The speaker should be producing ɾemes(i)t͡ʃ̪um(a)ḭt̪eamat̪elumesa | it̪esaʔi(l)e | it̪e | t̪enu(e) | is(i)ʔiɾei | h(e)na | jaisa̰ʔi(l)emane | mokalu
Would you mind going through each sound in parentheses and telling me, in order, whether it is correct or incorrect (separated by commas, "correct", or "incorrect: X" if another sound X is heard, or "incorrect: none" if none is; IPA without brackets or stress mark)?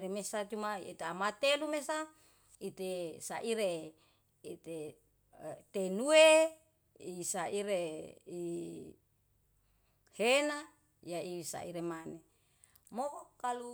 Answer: incorrect: a, correct, incorrect: ɾ, correct, incorrect: a, correct, incorrect: ɾ